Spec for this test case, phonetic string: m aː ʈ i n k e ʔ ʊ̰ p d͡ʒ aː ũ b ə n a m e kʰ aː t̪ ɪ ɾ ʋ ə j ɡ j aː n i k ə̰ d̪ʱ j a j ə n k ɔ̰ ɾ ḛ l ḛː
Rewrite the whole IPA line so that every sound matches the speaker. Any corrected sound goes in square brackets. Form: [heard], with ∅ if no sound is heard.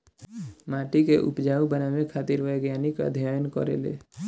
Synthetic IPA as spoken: m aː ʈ i [∅] k e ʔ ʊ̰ p d͡ʒ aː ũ b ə n a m e kʰ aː t̪ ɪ ɾ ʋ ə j ɡ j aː n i k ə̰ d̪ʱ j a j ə n k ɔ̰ ɾ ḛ l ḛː